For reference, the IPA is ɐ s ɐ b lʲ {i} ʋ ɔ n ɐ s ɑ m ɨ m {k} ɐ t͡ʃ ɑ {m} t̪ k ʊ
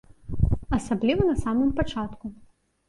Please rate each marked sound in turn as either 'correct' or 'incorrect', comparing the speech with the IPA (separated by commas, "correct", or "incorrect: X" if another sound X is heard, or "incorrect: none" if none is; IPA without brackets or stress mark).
correct, incorrect: p, incorrect: none